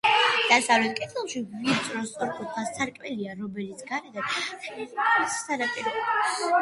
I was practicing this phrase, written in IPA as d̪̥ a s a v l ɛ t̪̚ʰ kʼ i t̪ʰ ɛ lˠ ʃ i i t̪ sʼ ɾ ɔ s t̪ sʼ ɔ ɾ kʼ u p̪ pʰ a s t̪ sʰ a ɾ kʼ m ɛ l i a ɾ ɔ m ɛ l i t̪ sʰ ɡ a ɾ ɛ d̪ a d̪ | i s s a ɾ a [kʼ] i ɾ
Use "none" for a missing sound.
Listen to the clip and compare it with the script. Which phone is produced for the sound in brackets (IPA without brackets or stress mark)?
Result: pʼ